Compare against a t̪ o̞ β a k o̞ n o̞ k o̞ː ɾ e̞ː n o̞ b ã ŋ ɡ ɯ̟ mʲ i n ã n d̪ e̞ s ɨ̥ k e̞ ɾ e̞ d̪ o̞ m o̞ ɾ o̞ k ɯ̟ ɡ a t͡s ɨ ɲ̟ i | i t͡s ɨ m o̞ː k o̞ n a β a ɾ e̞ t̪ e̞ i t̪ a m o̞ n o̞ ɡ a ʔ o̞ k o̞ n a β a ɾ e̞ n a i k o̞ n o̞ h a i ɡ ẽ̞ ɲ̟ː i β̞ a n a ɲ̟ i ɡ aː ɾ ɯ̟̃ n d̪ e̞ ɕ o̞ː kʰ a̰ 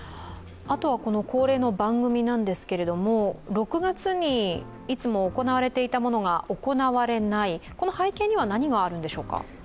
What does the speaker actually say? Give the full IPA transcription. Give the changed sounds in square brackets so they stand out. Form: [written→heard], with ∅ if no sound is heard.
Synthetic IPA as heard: a t̪ o̞ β a k o̞ n o̞ k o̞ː ɾ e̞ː n o̞ b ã ŋ ɡ ɯ̟ mʲ i n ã n d̪ e̞ s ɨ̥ k e̞ ɾ e̞ d̪ o̞ m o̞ ɾ o̞ k ɯ̟ ɡ a t͡s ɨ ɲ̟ i | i t͡s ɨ m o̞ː k o̞ n a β a ɾ e̞ t̪ e̞ i t̪ a m o̞ n o̞ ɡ a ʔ o̞ k o̞ n a β a ɾ e̞ n a i k o̞ n o̞ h a i [ɡ→k] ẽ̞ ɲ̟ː i β̞ a n a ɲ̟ i ɡ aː ɾ ɯ̟̃ n d̪ e̞ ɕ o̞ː [kʰ→k] a̰

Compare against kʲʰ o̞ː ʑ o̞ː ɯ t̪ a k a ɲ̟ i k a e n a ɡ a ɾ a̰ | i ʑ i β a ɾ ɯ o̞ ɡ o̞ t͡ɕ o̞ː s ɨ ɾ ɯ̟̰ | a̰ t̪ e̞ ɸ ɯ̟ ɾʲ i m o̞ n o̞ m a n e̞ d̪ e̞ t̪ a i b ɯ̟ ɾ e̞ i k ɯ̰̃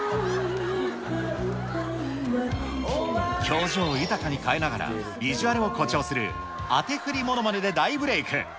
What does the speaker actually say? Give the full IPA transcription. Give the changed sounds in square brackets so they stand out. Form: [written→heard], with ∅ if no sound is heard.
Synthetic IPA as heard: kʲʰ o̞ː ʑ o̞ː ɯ t̪ a k a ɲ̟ i k a e n a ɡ a ɾ a̰ | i ʑ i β a ɾ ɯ o̞ [ɡ→k] o̞ t͡ɕ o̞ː s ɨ ɾ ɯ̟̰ | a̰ t̪ e̞ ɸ ɯ̟ ɾʲ i m o̞ n o̞ m a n e̞ d̪ e̞ [t̪→d̪] a i b ɯ̟ ɾ e̞ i k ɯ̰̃

